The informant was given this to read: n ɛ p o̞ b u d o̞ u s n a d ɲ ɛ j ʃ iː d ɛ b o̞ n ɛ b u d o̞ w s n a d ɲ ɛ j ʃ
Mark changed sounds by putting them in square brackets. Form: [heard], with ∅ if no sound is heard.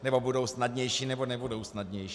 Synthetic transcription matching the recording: n ɛ [b] o̞ b u d o̞ [w] s n a d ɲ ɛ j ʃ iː [n] ɛ b o̞ n ɛ b u d o̞ w s n a d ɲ ɛ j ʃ

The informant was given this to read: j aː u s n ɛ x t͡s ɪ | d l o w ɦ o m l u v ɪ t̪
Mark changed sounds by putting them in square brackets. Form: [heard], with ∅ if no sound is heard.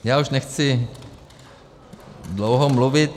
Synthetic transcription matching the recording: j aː u [ʃ] n ɛ x t͡s ɪ | d l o w ɦ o m l u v ɪ t̪

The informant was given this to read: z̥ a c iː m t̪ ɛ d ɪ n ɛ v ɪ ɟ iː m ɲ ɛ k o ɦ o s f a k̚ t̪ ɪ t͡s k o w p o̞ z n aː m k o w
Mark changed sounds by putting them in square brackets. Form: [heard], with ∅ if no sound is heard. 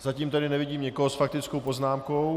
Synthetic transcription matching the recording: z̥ a c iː m t̪ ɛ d ɪ n ɛ v ɪ ɟ iː m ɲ ɛ k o ɦ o s f a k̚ t̪ ɪ t͡s k o w p o̞ z n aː m k o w

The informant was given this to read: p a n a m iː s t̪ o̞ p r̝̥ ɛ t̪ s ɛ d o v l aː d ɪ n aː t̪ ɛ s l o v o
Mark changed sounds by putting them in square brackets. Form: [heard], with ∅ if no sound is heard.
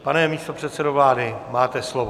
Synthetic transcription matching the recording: p a n [ɛ] m iː s t̪ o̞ p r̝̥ ɛ t̪ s ɛ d o v l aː d ɪ [m] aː t̪ ɛ s l o v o

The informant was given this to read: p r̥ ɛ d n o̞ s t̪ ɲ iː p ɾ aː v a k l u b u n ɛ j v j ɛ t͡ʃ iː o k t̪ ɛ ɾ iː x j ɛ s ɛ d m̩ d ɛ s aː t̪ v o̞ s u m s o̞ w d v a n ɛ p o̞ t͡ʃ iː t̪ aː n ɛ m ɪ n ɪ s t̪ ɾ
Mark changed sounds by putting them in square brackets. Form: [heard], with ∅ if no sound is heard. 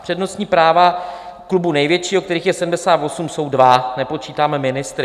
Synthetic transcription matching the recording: p r̥ ɛ d n o̞ s t̪ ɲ iː p ɾ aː v a k l u b u n ɛ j v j ɛ t͡ʃ iː o k t̪ ɛ ɾ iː x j ɛ s ɛ d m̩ d ɛ s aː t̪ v o̞ s u m s o̞ w d v a n ɛ p o̞ t͡ʃ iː t̪ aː [m] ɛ m ɪ n ɪ s t̪ ɾ

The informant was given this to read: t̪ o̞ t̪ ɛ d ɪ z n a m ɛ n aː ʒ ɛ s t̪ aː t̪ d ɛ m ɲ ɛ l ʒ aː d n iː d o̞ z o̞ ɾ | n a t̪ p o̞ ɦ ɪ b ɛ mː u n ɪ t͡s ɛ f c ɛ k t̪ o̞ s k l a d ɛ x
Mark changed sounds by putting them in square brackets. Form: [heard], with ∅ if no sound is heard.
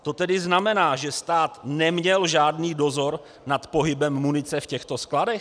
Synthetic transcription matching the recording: t̪ o̞ t̪ ɛ d ɪ z n a m ɛ n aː ʒ ɛ s t̪ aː t̪ [n] ɛ m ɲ ɛ l ʒ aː d n iː d o̞ z o̞ ɾ | n a t̪ p o̞ ɦ ɪ b ɛ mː u n ɪ t͡s ɛ f c ɛ [x] t̪ o̞ s k l a d ɛ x

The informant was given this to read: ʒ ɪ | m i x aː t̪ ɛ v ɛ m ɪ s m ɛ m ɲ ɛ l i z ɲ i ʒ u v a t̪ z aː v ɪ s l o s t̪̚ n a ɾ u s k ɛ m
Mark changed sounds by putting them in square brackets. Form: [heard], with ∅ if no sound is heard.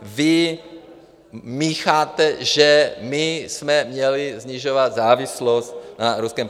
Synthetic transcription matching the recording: [v] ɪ | m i x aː t̪ ɛ [ʒ] ɛ m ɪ s m ɛ m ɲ ɛ l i z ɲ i ʒ [o] v a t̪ z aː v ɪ s l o s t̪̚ n a ɾ u s k ɛ m

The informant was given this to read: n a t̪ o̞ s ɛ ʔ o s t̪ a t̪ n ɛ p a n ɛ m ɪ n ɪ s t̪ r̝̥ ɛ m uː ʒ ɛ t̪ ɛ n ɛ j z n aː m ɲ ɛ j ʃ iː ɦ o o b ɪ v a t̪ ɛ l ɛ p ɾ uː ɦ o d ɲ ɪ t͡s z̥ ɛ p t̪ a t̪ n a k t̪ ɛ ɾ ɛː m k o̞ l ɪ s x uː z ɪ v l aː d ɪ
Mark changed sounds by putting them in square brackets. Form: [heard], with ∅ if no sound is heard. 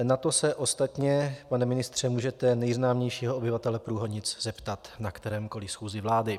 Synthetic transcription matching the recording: n a t̪ o̞ s ɛ ʔ o s t̪ a t̪ [ɲ] ɛ p a n ɛ m ɪ n ɪ s t̪ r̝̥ ɛ m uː ʒ ɛ t̪ ɛ n ɛ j z n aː m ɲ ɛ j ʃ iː ɦ o o b ɪ v a t̪ ɛ l ɛ p ɾ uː ɦ o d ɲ ɪ t͡s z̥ ɛ p t̪ a t̪ n a k t̪ ɛ ɾ ɛː m k o̞ l ɪ s x uː z ɪ v l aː d ɪ

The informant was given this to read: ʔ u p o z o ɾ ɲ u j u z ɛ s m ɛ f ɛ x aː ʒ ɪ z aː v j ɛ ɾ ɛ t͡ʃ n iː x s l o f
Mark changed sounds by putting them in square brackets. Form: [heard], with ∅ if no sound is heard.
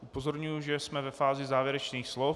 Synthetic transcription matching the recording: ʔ u p o z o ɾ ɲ u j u [ʒ] ɛ s m ɛ [v] ɛ [f] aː [z] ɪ z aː v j ɛ ɾ ɛ t͡ʃ n iː x s l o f

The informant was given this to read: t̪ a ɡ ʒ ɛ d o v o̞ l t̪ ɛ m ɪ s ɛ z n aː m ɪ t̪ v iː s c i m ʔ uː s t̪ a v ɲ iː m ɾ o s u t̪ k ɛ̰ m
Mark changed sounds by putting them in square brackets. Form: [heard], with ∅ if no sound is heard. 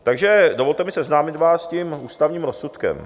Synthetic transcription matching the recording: t̪ a ɡ ʒ ɛ d o v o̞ l t̪ ɛ m ɪ s ɛ z n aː m ɪ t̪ v [aː] s c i m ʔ uː s t̪ a v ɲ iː m ɾ o s u t̪ k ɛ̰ m

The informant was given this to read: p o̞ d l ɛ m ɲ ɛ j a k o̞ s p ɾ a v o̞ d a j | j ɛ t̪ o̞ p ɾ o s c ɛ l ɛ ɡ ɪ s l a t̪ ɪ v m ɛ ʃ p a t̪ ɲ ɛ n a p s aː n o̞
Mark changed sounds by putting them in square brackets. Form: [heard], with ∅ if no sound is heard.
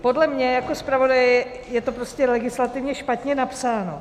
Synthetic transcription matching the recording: p o̞ d l ɛ m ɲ ɛ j a k o̞ s p ɾ a v o̞ d a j | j ɛ t̪ o̞ p ɾ o s c ɛ l ɛ ɡ ɪ s l a t̪ ɪ v [ɲ] ɛ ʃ p a t̪ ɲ ɛ n a p s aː n o̞

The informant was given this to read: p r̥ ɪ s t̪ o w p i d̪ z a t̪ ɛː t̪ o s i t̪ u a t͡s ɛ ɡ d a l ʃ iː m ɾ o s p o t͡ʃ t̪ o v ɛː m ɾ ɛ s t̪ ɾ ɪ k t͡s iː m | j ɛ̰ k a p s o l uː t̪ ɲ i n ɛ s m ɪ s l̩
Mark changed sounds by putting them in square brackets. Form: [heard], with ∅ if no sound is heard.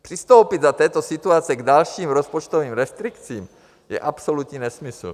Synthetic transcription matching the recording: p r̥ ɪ s t̪ o w p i d̪ z a t̪ ɛː t̪ o s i t̪ u a t͡s ɛ ɡ d a l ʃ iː m ɾ o s p o t͡ʃ t̪ o v [iː] m ɾ ɛ s t̪ ɾ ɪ k t͡s iː m | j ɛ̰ [ʔ] a p s o l [u] t̪ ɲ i n ɛ s m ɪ s l̩

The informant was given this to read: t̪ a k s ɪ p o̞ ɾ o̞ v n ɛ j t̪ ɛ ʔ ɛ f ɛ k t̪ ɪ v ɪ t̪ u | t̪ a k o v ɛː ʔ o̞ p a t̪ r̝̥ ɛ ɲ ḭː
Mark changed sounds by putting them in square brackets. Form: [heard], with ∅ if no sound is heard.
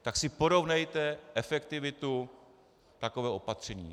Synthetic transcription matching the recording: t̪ a k s ɪ p o̞ ɾ o̞ v n ɛ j t̪ ɛ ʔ ɛ f ɛ k t̪ ɪ v ɪ t̪ u | t̪ a k o v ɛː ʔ o̞ p a t̪ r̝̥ ɛ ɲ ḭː

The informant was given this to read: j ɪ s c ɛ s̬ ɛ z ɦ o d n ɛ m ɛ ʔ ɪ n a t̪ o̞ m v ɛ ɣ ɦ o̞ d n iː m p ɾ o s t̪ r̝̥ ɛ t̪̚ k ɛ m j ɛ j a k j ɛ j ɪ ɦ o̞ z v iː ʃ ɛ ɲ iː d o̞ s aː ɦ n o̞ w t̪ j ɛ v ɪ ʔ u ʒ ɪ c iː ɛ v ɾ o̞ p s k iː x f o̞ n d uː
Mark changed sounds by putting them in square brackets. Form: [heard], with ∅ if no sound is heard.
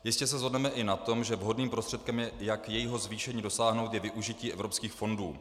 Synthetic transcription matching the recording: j ɪ s c ɛ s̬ ɛ z ɦ o d n ɛ m ɛ ʔ ɪ n a t̪ o̞ m [ʒ] ɛ [v] ɦ o̞ d n iː m p ɾ o s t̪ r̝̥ ɛ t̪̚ k ɛ m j ɛ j a k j ɛ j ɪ ɦ o̞ z v iː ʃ ɛ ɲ iː d o̞ s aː ɦ n o̞ w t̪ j ɛ v ɪ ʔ u ʒ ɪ c iː ɛ v ɾ o̞ p s k iː x f o̞ n d uː

